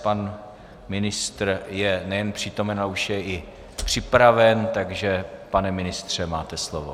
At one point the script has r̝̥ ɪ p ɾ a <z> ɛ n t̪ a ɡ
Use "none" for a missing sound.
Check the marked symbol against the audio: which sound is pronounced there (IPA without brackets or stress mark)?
v